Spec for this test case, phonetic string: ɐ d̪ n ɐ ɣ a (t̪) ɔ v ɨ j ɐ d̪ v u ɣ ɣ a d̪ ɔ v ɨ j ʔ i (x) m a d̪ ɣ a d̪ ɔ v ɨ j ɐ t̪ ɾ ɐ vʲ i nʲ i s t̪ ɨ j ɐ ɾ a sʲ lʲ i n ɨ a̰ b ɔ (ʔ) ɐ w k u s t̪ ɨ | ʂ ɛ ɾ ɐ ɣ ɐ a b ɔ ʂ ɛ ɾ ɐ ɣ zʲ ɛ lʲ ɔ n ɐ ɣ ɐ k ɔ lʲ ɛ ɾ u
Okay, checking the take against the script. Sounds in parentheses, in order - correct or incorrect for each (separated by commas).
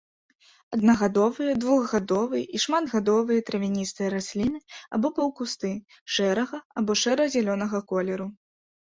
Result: incorrect, incorrect, incorrect